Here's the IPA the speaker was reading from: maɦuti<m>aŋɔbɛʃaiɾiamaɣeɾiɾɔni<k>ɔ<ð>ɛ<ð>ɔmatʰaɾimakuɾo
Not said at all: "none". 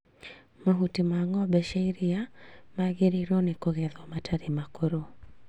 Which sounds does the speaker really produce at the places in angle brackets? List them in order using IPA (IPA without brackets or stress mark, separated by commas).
m, k, ɣ, ð